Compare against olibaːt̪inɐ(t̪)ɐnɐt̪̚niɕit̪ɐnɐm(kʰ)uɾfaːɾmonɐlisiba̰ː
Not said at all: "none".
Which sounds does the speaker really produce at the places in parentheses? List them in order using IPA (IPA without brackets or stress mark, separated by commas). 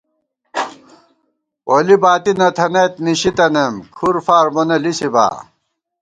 t̪ʰ, kʰ